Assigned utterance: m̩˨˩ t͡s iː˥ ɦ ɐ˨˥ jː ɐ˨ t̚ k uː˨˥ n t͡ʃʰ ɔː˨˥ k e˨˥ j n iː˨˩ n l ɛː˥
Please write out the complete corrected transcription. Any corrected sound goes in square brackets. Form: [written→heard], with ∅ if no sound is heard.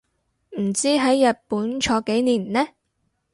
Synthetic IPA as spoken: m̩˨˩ t͡s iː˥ ɦ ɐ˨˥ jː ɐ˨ t̚ [k→p] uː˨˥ n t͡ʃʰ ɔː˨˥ k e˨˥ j n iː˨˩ n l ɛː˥